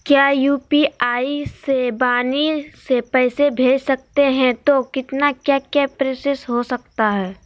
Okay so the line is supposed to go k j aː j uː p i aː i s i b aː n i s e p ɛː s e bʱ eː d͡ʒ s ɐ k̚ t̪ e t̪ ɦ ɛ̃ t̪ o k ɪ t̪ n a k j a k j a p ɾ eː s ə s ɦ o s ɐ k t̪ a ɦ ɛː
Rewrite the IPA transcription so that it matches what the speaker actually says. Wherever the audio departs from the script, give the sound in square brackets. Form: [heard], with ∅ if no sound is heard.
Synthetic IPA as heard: k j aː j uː p i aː i s [e] b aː n i s e p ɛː s e bʱ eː d͡ʒ s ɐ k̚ t̪ e [∅] ɦ ɛ̃ t̪ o k ɪ t̪ n a k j a k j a p ɾ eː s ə s ɦ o s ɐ k t̪ a ɦ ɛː